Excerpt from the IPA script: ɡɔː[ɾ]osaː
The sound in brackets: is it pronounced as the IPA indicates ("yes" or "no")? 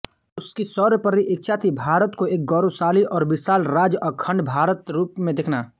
yes